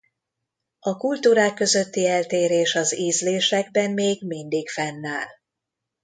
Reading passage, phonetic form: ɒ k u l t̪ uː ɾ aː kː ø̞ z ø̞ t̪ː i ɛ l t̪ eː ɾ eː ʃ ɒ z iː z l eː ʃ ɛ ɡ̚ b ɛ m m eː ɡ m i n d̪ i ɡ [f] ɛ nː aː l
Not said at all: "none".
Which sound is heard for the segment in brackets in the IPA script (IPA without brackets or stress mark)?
f